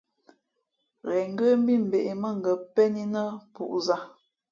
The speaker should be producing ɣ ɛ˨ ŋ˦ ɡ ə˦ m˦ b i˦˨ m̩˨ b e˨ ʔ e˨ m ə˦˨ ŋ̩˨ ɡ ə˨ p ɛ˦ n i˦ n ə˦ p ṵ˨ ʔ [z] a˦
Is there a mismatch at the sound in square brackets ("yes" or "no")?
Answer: no